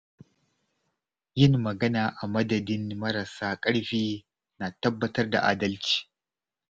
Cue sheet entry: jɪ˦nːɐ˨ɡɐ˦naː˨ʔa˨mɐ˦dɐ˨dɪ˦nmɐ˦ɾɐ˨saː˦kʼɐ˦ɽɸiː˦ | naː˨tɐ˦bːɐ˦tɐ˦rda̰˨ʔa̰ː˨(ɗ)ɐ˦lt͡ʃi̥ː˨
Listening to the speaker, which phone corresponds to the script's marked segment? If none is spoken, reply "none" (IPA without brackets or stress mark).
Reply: d